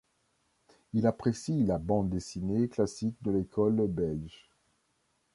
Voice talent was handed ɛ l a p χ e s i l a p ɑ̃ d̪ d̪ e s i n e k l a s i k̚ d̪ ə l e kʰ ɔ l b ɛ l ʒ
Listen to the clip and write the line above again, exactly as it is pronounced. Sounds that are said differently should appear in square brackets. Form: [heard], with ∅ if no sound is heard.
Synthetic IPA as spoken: [i] l a p χ e s i l a [b] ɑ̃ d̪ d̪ e s i n e k l a s i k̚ d̪ ə l e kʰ ɔ l b ɛ l ʒ